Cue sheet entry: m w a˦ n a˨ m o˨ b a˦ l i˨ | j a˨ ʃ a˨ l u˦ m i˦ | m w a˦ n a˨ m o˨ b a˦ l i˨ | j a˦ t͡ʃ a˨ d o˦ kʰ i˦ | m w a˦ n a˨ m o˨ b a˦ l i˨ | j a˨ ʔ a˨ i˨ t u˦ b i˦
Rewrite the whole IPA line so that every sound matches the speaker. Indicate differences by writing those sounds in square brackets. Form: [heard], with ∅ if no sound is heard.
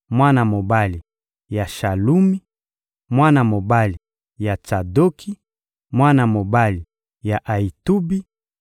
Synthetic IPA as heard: m w a˦ n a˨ m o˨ b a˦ l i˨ | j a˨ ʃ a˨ l u˦ m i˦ | m w a˦ n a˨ m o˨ b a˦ l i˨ | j [a˨] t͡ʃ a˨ d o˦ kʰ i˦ | m w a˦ n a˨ m o˨ b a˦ l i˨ | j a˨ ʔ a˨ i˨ t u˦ b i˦